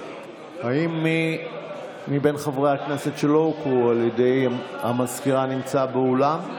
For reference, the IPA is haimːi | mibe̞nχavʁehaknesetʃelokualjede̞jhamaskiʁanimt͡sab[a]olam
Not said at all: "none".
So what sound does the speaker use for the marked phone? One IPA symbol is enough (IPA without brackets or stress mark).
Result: e